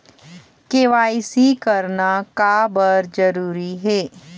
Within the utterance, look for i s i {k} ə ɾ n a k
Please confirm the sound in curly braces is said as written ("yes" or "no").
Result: yes